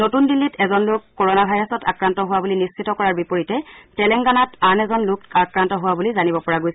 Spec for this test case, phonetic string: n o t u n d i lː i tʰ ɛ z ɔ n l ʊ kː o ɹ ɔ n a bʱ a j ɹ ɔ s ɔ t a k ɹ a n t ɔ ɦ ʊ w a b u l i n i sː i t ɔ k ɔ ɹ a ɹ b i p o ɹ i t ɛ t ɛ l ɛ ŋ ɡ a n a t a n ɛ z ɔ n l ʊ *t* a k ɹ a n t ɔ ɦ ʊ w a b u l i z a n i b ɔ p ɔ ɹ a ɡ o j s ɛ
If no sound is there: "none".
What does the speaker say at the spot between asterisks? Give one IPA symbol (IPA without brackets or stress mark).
k